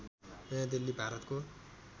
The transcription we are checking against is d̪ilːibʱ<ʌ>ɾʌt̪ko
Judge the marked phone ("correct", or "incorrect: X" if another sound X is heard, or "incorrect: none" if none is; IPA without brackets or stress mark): incorrect: a